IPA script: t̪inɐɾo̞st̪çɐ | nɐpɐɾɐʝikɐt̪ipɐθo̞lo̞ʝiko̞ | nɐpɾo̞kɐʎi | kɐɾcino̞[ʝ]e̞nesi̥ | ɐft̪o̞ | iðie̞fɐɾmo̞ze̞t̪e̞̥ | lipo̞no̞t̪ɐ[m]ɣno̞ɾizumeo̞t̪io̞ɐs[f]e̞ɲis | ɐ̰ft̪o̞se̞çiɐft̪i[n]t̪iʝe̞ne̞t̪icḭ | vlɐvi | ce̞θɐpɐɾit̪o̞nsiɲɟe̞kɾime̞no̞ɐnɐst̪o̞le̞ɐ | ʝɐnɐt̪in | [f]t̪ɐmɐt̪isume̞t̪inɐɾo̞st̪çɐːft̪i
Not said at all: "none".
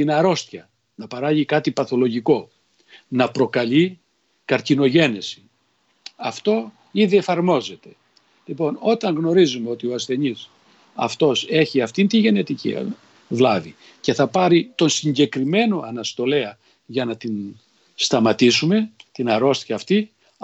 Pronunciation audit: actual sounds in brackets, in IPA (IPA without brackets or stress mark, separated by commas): ʝ, ŋ, θ, n, s